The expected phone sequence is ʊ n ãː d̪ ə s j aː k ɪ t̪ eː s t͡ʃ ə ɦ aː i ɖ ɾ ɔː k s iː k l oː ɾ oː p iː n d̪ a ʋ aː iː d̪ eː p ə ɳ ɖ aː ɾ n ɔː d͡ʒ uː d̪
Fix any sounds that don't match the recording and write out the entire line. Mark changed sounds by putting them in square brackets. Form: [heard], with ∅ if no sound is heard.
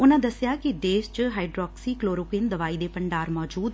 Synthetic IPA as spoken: ʊ n ãː d̪ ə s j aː k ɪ [d̪] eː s t͡ʃ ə ɦ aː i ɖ ɾ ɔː k s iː k l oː ɾ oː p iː n d̪ [ə] ʋ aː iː d̪ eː p ə ɳ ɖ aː ɾ [m] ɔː d͡ʒ uː d̪